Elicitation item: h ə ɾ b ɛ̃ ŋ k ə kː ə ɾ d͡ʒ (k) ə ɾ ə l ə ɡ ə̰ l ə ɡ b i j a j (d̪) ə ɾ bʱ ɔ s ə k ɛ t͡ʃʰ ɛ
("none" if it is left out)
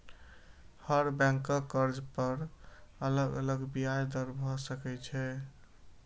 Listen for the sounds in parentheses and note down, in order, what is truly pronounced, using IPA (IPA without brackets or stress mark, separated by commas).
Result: p, d̪